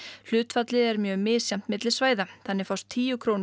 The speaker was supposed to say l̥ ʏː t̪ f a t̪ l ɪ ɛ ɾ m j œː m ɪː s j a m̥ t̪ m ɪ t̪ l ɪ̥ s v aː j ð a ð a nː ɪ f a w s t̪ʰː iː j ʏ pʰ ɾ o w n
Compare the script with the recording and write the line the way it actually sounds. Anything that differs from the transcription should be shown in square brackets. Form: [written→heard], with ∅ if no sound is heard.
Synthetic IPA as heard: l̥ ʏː t̪ f a t̪ l ɪ ɛ ɾ m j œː m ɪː s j a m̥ t̪ m ɪ t̪ l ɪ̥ s v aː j ð a [ð→θ] a nː ɪ f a w s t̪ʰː iː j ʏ [pʰ→kʰ] ɾ o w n